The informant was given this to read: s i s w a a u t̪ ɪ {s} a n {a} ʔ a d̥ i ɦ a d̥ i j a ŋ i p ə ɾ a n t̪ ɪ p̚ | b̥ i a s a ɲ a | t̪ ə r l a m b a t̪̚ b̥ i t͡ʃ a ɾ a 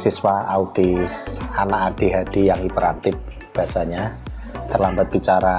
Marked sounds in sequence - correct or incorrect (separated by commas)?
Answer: correct, correct